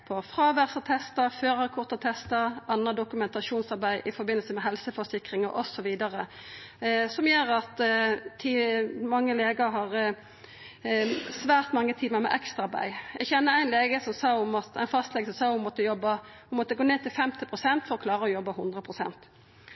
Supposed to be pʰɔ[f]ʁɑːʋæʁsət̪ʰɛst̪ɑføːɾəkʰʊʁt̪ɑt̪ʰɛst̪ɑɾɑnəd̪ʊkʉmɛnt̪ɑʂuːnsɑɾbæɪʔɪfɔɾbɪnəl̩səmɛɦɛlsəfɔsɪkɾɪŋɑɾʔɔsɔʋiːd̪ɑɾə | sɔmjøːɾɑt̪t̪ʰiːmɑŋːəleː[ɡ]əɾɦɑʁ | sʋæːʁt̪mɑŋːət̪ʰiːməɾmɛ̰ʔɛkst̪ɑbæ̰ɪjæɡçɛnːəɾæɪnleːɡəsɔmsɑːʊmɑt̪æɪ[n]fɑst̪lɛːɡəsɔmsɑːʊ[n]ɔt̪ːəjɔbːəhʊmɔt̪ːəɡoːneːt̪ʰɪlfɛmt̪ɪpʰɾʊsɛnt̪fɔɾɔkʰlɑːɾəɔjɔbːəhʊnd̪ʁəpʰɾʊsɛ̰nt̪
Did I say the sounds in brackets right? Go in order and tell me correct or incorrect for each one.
correct, correct, correct, incorrect: m

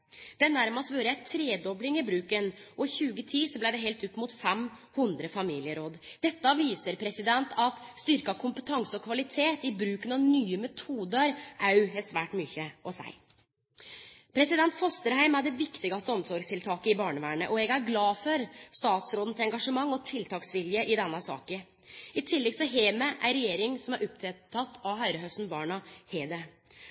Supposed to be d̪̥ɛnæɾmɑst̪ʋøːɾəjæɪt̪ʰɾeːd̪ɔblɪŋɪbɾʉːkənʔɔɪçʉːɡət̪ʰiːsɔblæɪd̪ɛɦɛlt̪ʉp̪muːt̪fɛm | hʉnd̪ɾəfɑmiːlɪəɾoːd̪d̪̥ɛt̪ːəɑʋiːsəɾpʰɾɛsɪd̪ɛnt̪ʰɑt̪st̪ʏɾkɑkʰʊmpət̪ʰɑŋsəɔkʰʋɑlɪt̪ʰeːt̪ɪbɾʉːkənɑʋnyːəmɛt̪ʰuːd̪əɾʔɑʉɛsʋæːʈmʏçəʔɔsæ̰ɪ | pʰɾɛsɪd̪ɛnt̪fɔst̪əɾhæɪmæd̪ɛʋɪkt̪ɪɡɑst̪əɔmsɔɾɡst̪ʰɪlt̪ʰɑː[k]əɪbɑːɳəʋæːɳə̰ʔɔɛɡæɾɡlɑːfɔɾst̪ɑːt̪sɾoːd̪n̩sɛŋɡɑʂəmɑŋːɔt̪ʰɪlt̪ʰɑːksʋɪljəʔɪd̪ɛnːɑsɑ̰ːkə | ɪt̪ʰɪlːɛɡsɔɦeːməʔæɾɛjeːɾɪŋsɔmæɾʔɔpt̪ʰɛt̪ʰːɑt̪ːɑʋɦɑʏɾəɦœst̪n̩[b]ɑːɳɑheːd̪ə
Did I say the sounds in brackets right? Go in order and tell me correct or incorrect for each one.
correct, correct

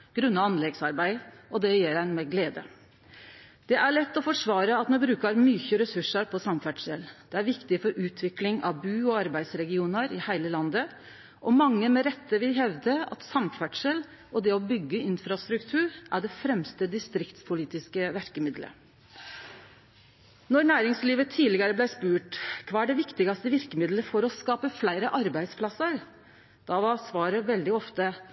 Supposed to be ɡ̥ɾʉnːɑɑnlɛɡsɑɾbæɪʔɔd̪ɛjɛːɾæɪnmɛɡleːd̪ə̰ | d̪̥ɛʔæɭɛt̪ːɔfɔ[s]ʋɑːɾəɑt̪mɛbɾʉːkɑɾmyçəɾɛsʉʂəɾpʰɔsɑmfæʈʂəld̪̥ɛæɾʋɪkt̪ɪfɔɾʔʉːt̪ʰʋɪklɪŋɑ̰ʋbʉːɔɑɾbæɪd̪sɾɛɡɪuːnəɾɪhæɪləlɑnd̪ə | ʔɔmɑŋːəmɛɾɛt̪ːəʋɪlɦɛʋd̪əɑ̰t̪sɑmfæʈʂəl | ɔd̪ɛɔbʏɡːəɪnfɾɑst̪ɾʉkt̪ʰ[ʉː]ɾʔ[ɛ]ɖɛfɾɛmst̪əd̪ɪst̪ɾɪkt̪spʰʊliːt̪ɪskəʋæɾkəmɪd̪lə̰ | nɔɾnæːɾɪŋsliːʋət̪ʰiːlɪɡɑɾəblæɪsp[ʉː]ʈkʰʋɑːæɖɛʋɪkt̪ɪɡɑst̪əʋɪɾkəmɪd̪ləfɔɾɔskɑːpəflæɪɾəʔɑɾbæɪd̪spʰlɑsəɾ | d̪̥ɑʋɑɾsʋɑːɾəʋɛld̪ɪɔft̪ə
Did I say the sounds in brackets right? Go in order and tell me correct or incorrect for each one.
incorrect: ʂ, correct, incorrect: æ, correct

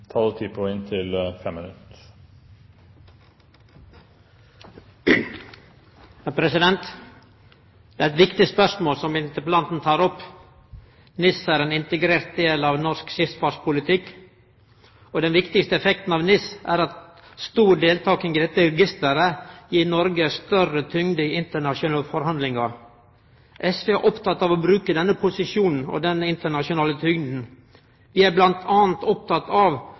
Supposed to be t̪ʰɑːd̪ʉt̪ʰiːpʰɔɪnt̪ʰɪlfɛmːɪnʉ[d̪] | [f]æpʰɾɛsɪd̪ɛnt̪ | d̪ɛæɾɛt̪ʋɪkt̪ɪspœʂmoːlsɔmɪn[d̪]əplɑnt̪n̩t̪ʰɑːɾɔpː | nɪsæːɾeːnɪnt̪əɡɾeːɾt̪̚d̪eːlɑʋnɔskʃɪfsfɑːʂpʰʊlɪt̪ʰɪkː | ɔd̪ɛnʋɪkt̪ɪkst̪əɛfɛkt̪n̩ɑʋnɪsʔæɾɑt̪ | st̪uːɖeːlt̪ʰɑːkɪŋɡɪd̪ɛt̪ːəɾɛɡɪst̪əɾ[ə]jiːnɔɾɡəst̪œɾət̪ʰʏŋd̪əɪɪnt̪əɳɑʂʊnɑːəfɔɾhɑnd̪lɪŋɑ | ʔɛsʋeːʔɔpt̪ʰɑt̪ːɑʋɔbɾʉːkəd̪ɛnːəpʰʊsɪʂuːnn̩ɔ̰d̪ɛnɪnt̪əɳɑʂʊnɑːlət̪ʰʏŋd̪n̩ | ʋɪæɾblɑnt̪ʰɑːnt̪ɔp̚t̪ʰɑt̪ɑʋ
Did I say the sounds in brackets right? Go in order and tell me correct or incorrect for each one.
incorrect: t̪, incorrect: h, incorrect: t̪, correct

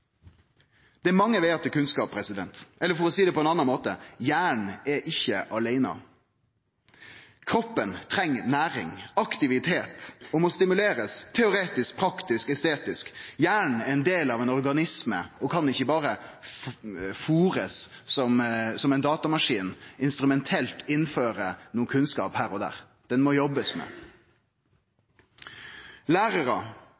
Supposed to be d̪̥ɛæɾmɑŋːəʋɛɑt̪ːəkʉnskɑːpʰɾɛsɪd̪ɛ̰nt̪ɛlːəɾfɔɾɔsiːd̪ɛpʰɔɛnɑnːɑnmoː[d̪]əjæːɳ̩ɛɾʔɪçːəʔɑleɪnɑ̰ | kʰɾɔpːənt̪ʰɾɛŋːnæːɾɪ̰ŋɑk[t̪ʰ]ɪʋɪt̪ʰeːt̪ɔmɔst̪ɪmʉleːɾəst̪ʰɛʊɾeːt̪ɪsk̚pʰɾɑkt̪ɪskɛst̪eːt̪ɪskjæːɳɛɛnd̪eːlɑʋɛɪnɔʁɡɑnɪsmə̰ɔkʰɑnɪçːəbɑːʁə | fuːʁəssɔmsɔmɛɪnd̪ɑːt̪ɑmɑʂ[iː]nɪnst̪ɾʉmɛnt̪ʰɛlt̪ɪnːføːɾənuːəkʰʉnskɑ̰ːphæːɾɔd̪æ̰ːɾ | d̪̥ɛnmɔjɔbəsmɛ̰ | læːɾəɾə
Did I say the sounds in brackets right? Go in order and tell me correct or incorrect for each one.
incorrect: t̪, incorrect: t̪, correct

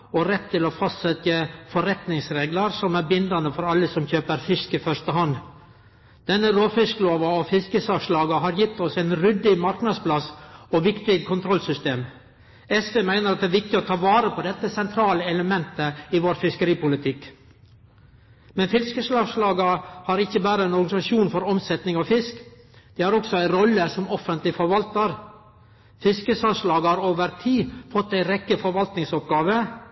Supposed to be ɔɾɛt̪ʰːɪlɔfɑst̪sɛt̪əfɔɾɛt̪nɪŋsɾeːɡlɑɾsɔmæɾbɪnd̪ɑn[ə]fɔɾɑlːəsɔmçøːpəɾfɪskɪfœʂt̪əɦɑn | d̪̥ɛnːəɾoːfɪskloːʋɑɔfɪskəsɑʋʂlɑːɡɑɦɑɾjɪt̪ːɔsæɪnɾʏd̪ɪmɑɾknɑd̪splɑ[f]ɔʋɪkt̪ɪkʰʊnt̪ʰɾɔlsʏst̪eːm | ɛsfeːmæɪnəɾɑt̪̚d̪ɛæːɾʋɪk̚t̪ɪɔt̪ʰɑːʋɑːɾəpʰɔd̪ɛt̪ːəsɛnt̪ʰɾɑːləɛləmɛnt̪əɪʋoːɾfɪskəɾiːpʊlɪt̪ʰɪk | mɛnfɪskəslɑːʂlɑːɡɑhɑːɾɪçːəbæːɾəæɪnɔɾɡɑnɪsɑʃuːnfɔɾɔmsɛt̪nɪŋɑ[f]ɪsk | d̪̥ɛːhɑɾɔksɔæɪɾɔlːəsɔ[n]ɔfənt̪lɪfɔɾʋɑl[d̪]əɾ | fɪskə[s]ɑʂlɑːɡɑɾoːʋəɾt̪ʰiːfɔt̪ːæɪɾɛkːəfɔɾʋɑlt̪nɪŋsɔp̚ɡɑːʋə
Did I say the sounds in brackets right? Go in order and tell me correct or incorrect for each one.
correct, incorrect: s, correct, incorrect: m, incorrect: t̪, correct

